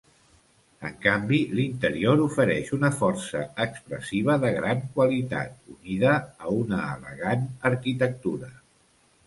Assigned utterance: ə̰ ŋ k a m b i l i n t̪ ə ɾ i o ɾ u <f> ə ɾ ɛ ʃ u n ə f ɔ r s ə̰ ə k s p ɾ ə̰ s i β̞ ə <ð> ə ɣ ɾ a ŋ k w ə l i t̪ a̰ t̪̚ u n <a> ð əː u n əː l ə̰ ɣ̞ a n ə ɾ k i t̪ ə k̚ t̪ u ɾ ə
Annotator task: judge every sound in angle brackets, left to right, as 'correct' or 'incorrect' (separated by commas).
correct, correct, incorrect